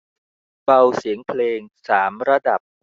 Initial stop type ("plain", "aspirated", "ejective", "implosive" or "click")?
plain